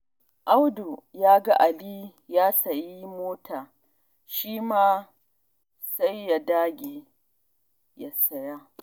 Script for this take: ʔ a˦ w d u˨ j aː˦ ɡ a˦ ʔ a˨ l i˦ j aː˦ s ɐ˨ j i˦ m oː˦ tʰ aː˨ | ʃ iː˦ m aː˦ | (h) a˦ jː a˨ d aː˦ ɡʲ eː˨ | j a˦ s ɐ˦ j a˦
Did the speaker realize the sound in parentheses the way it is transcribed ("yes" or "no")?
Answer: no